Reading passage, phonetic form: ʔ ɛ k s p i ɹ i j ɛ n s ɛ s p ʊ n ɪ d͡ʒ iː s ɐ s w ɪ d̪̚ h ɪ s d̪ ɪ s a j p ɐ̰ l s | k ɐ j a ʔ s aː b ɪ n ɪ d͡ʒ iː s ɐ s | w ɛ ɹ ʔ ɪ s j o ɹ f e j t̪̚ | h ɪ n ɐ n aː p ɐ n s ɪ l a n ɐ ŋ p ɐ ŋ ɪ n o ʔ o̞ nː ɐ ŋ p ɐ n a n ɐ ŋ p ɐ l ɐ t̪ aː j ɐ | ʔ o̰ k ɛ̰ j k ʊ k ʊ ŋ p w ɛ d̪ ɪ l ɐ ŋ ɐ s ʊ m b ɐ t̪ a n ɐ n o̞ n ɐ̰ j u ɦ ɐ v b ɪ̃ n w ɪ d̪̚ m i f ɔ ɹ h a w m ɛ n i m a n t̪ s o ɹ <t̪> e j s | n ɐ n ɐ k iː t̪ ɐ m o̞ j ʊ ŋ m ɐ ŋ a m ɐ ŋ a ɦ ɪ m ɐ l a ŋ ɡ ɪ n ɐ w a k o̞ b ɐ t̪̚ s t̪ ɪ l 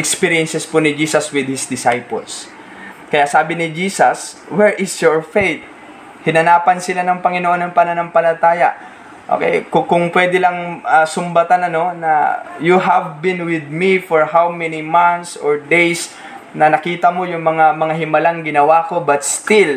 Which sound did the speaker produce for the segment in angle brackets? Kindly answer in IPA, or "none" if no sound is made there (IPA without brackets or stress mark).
d̪